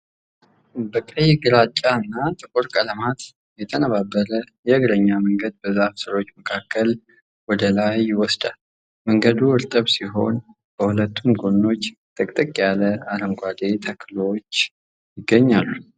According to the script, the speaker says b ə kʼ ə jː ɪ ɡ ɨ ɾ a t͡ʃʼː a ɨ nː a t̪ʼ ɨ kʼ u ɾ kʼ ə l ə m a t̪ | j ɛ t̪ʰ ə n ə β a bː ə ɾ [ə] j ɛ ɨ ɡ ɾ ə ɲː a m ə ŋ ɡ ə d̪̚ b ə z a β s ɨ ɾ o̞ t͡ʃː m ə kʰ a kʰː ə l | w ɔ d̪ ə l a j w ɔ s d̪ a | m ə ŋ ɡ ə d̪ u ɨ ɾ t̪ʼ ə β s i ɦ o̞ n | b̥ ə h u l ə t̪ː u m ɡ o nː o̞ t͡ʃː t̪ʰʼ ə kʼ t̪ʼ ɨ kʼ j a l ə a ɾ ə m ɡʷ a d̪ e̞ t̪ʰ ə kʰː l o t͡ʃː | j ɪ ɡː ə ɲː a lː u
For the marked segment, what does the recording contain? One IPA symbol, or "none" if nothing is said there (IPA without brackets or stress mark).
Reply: ə